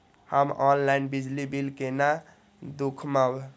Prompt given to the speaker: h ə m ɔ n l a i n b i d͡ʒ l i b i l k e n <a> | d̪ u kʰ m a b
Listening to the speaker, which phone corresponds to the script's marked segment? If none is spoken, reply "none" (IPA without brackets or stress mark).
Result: a